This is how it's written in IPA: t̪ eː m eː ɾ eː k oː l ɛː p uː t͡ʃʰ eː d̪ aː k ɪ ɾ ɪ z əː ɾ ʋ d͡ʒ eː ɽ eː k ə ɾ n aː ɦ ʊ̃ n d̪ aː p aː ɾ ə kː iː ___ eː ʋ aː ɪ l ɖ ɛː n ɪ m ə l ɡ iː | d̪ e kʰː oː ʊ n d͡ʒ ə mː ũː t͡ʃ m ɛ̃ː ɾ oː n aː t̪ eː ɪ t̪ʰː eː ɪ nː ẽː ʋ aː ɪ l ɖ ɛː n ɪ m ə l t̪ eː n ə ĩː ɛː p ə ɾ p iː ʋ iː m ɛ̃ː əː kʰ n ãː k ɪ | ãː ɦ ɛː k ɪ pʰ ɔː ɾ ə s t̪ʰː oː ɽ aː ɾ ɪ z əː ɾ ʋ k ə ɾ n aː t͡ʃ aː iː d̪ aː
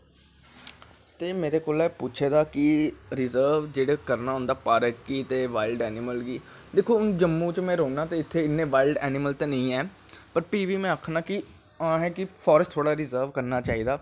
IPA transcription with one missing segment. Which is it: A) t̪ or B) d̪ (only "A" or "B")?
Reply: A